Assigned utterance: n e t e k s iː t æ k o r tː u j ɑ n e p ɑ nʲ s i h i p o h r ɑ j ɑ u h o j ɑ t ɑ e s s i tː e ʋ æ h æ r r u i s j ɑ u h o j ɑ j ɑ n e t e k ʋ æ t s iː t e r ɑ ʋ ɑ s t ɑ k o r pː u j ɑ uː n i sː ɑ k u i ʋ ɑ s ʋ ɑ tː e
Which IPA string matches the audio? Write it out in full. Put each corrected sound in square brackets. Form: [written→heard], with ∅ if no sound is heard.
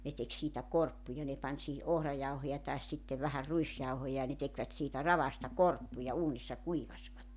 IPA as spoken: n e t e k s iː t æ k o r [tː→pː] u j ɑ n e p ɑ nʲ s i h i [p→ʔ] o h r ɑ j ɑ u h o j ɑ t ɑ e s s i tː e ʋ æ h æ r r u i s j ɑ u h o j ɑ j ɑ n e t e k ʋ æ t s iː t [e→æ] r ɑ ʋ ɑ s t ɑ k o r pː u j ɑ uː n i sː ɑ k u i ʋ ɑ s ʋ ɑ tː e